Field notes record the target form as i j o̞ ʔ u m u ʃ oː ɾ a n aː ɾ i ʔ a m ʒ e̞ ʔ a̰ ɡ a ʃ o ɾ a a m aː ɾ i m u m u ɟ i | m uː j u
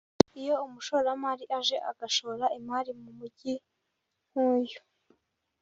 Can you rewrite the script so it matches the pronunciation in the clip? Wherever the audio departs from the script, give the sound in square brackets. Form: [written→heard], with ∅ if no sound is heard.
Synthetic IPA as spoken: i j o̞ [ʔ→∅] u m u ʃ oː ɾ a [n→m] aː ɾ i ʔ a [m→∅] ʒ e̞ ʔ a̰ ɡ a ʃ o ɾ a [a→i] m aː ɾ i m u m u ɟ i | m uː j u